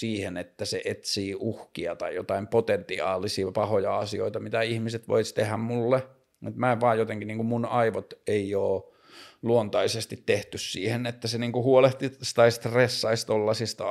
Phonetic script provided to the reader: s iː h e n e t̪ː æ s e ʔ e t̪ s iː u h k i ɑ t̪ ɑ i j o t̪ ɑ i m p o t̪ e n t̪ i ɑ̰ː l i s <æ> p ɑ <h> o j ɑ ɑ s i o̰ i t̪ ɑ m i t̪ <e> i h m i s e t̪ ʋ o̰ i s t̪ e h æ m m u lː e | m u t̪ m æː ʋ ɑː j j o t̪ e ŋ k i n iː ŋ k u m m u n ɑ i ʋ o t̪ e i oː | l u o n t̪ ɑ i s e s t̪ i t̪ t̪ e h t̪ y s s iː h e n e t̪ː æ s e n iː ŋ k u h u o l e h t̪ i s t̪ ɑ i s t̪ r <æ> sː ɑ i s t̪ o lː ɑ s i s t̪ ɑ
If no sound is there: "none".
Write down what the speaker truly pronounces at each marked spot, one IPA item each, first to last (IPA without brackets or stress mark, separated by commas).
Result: i, h, æ, e